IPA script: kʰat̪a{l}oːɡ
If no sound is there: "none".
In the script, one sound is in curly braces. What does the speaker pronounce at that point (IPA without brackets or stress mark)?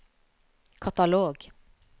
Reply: l